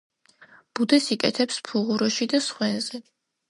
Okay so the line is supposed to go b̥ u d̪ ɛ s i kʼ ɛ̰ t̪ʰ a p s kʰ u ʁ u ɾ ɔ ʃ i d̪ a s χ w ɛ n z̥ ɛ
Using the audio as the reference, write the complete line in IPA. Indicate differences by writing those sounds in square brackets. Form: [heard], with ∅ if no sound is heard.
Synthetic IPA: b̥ u d̪ ɛ s i kʼ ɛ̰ t̪ʰ [ɛ] p s [pʰ] u ʁ u ɾ ɔ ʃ i d̪ a s χ w ɛ n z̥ ɛ